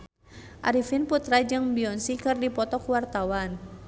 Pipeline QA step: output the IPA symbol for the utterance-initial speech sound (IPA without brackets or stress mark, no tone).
ʔ